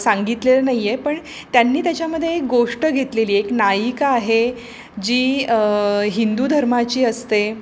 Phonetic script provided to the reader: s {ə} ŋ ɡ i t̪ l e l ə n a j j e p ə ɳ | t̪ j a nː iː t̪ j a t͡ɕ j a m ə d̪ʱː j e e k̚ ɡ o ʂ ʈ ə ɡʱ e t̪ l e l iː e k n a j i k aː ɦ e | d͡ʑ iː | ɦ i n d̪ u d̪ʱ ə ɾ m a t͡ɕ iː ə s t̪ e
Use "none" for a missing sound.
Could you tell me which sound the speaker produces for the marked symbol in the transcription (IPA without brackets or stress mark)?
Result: a